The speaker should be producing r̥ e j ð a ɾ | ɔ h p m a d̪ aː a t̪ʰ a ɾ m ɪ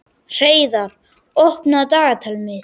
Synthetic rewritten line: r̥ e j ð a ɾ | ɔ h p n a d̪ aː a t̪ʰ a l m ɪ